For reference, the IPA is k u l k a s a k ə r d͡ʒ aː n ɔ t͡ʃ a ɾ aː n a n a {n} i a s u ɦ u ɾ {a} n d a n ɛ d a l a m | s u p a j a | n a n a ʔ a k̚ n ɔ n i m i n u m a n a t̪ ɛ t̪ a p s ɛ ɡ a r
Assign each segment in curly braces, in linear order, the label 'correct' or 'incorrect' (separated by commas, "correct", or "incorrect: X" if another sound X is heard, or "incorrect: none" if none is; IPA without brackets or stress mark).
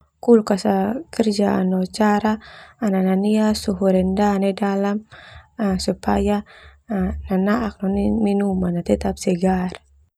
correct, incorrect: ɛ